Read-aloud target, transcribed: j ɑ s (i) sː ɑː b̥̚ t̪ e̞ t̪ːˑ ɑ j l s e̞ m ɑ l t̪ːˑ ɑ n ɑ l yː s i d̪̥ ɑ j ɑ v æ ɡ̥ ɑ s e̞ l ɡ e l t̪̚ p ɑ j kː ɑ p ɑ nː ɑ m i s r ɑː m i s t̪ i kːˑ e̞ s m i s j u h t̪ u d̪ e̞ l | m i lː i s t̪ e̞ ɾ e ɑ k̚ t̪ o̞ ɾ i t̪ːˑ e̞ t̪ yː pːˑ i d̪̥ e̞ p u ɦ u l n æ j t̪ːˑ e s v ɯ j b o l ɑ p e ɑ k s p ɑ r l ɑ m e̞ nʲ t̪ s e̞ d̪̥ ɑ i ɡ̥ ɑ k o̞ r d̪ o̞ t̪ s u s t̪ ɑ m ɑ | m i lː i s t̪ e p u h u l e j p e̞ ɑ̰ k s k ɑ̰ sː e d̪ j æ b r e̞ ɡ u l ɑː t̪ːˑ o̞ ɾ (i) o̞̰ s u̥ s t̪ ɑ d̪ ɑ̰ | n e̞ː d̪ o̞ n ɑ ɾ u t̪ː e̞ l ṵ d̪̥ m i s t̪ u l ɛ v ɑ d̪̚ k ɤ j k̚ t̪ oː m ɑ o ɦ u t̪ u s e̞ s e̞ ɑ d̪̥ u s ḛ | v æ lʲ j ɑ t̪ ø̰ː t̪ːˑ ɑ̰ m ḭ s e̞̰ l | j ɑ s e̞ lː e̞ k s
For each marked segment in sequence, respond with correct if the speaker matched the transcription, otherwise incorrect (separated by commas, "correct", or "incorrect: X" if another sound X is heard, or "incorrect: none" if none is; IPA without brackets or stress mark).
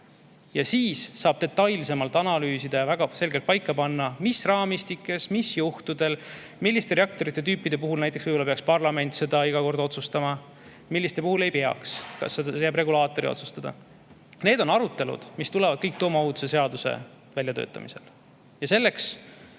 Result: incorrect: iː, correct